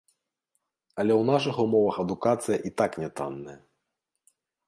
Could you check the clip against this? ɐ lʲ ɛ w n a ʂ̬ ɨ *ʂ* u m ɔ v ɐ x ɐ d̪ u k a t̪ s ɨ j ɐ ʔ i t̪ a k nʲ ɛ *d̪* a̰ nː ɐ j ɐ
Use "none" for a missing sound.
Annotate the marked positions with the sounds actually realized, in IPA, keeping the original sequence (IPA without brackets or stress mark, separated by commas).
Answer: x, t̪